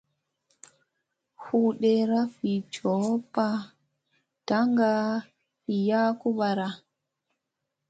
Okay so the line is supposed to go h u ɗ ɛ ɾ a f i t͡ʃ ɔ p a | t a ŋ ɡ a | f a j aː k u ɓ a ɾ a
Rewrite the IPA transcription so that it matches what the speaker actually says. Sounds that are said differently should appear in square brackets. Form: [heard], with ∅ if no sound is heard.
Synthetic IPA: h u ɗ ɛ ɾ a f i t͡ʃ ɔ p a | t a ŋ ɡ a | f [i] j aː k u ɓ a ɾ a